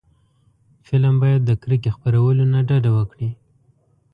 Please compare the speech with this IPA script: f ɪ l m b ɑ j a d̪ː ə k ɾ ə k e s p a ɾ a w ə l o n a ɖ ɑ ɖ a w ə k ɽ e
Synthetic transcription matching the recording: f ɪ l m b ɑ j a d̪ː ə k ɾ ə k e x p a ɾ a w ə l o n a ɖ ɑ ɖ a w ə k ɽ i